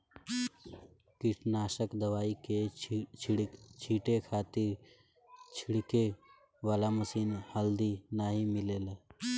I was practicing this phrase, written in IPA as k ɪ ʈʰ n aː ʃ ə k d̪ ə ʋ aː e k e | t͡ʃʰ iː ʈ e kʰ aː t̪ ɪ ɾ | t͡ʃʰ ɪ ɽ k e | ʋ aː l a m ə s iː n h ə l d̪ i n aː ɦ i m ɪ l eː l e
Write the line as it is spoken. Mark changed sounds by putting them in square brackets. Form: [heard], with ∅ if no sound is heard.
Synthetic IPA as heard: k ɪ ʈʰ n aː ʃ ə k d̪ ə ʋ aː [i] k e | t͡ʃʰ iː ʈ e kʰ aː t̪ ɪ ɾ | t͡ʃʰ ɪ ɽ k e | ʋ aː l a m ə s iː n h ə l d̪ i n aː ɦ i m ɪ l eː l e